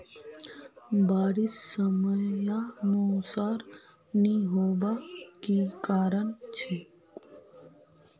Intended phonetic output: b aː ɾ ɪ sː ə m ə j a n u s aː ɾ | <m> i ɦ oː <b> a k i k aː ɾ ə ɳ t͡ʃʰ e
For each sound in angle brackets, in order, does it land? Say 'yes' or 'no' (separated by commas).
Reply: no, yes